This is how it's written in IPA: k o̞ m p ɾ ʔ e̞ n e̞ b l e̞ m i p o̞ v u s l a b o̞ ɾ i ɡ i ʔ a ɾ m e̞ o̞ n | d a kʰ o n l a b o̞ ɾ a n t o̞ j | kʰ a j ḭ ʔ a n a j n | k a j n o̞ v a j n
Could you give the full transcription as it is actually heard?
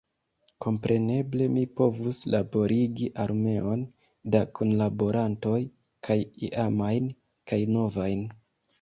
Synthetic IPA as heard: k o̞ m p ɾ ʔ e̞ n e̞ b l e̞ m i p o̞ v u s l a b o̞ ɾ i ɡ i ʔ a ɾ m e̞ o̞ n | d a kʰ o n l a b o̞ ɾ a n t o̞ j | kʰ a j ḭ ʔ a m a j n | k a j n o̞ v a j n